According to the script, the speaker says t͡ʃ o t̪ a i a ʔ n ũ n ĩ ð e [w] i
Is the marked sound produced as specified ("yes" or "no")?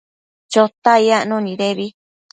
no